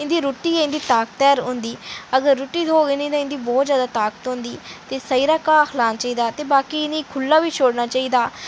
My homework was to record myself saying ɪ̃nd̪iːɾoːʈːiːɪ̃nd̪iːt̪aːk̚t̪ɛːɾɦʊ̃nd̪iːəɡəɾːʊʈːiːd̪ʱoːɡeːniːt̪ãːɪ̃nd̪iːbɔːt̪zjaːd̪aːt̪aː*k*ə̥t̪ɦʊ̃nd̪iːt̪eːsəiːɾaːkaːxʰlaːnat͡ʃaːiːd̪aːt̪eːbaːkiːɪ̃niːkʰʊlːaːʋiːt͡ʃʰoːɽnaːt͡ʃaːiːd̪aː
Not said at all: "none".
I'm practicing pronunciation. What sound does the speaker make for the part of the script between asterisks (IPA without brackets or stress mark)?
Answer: k